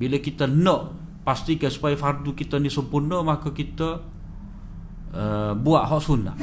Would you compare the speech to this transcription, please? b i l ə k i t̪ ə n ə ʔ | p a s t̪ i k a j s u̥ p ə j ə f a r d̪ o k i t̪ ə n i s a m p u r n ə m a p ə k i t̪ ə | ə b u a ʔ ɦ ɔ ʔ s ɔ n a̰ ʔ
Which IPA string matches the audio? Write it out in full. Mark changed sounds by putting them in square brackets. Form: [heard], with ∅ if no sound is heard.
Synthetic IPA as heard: b i l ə k i t̪ ə n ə ʔ | p a s t̪ i k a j s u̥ p [a] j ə f a r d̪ [u] k i t̪ ə n i s [ə] m p u r n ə m a [k] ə k i t̪ ə | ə b u a ʔ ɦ ɔ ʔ s [u] n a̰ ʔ